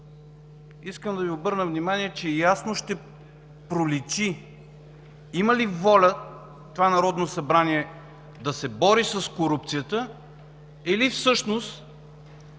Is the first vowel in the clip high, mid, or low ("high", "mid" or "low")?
high